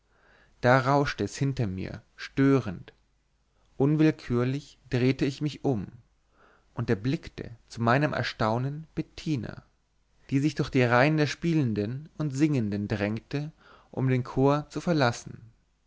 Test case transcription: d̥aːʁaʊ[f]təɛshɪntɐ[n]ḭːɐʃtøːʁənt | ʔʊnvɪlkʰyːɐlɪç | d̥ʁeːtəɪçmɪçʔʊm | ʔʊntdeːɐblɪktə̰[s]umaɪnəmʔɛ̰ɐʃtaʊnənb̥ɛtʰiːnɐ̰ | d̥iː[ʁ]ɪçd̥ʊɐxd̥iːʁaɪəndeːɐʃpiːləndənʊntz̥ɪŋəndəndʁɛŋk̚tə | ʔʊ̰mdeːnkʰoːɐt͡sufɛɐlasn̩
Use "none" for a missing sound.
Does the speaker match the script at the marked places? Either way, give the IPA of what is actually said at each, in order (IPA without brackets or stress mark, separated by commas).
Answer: ʃ, m, t͡s, z